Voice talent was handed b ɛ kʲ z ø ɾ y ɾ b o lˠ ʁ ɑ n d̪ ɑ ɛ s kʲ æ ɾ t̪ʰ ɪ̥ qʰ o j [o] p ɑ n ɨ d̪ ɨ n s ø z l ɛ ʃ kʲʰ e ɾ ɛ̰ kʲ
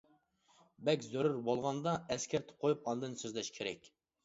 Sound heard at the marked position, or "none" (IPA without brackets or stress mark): u